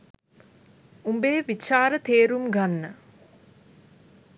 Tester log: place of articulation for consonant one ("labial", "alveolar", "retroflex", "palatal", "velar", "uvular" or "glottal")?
labial